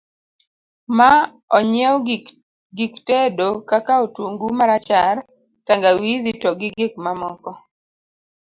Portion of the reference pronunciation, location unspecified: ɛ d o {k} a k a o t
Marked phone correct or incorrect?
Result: correct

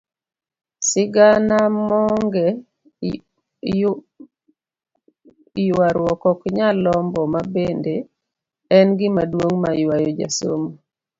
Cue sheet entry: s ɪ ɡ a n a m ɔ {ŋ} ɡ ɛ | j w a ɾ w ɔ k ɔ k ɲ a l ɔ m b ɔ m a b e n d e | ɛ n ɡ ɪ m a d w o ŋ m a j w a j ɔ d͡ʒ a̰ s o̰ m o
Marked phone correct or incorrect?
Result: correct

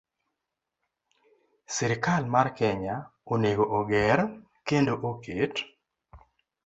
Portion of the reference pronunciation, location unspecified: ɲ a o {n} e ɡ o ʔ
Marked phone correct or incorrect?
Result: correct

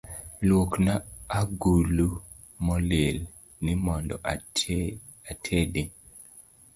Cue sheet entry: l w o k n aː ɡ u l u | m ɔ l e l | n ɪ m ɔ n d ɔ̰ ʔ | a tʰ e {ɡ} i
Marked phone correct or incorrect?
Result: incorrect: d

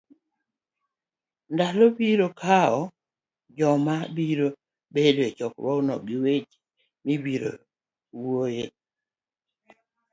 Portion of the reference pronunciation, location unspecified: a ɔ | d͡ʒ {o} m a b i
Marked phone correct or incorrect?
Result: incorrect: ɔ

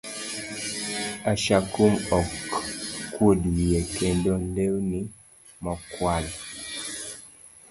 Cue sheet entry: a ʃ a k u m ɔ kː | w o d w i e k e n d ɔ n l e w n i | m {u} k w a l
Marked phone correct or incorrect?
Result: incorrect: ɔ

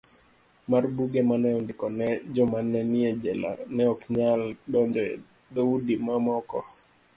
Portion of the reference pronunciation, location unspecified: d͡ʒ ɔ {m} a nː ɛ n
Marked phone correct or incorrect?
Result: correct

